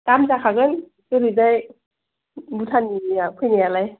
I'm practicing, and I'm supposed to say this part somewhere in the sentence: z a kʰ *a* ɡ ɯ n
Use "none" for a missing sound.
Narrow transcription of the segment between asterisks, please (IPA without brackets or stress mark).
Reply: a